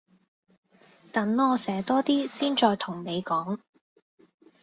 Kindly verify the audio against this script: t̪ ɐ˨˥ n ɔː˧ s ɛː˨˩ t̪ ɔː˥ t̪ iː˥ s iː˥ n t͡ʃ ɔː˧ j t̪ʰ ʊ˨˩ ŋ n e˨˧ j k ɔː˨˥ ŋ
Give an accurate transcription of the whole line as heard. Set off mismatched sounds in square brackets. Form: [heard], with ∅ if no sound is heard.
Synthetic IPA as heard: t̪ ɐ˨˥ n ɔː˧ s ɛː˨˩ t̪ ɔː˥ t̪ iː˥ s iː˥ n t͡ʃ ɔː˧ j t̪ʰ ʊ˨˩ ŋ n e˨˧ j k ɔː˨˥ ŋ